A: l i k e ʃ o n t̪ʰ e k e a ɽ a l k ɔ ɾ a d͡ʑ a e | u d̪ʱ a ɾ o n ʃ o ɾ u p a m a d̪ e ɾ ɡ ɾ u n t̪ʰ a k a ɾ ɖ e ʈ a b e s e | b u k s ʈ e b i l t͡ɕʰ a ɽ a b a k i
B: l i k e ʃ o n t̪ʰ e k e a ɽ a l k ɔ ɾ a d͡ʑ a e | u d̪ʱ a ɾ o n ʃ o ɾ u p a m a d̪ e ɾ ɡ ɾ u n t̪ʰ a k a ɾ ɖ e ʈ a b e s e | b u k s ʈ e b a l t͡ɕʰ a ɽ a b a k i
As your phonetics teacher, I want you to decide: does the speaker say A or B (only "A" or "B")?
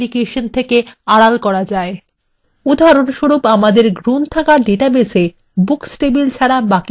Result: A